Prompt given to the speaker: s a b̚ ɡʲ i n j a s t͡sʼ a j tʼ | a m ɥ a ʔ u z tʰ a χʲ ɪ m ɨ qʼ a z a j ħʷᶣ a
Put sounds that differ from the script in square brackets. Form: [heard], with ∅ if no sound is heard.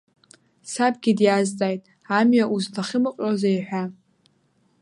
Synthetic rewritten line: s a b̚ ɡʲ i [d] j a [z] t͡sʼ a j tʼ | a m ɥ a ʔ u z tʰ a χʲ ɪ m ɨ qʼ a z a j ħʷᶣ a